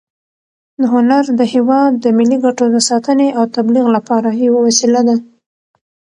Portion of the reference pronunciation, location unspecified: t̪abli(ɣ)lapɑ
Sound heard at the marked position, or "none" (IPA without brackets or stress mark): ɣ